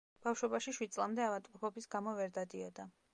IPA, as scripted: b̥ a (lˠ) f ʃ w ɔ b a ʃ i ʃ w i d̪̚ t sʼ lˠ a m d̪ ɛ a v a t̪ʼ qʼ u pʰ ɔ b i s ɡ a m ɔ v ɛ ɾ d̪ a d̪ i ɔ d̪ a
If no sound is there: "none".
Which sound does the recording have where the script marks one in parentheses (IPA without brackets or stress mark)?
none